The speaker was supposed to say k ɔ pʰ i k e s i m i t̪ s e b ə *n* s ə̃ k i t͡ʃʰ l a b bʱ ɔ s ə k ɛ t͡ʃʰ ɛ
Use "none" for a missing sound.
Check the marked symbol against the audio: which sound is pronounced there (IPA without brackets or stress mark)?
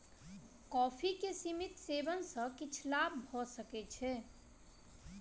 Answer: n